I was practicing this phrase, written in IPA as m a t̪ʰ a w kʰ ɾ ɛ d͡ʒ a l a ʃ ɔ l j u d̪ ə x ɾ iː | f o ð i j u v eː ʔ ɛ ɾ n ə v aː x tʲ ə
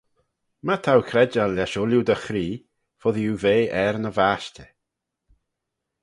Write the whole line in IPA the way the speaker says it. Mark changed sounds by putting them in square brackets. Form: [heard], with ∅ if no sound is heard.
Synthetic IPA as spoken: m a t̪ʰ a w kʰ ɾ ɛ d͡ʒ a l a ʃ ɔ l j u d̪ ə x ɾ iː | f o ð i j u v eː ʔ ɛ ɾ n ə v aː [ʃ] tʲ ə